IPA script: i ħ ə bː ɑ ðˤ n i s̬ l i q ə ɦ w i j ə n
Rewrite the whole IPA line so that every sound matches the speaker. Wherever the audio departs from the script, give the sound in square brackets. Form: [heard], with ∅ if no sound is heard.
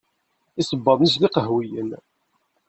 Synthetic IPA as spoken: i [s] ə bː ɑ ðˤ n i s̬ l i q ə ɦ w i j ə n